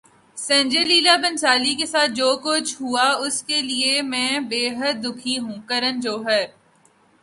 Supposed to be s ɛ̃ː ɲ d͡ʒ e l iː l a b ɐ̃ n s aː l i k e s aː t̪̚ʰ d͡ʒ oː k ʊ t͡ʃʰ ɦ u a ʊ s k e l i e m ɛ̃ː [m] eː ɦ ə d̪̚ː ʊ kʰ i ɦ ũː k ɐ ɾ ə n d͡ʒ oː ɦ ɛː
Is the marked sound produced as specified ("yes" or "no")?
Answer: no